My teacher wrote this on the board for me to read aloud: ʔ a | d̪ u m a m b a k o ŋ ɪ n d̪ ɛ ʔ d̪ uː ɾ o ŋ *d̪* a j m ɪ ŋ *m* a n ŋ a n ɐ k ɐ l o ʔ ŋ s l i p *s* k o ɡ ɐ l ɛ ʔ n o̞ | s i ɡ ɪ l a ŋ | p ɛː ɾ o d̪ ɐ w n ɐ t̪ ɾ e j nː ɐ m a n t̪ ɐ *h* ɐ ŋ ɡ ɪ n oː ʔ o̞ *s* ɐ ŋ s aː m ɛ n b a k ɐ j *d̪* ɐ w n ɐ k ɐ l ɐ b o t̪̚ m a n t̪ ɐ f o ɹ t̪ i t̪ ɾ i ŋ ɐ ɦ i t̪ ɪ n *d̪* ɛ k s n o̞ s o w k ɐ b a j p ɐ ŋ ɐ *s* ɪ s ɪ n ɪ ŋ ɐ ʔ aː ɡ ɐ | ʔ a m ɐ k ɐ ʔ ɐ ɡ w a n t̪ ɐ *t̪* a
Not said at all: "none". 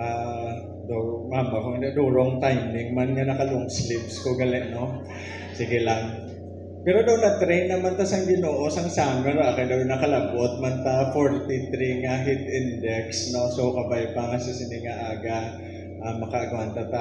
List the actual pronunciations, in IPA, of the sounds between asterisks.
t̪, m, s, s, s, d̪, d̪, s, t̪

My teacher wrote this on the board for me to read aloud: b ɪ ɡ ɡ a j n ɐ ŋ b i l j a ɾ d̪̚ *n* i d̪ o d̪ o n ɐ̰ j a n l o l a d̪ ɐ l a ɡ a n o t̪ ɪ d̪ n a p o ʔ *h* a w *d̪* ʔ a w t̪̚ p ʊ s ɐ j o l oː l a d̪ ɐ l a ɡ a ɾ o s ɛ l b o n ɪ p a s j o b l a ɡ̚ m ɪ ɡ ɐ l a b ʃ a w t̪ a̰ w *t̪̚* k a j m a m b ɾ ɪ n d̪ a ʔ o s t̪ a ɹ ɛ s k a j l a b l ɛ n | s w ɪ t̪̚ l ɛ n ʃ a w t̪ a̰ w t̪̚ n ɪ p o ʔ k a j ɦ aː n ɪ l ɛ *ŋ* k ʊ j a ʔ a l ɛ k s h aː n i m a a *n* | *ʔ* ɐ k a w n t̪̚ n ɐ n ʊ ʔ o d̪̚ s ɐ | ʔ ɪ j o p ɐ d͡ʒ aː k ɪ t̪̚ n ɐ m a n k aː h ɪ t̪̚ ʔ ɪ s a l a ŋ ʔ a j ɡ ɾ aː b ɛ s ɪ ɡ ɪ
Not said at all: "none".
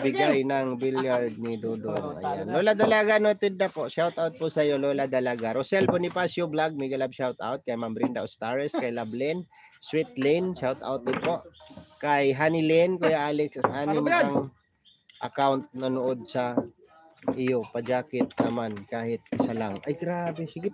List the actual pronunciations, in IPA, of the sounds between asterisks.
n, ʃ, t̪, t̪̚, n, ŋ, ʔ

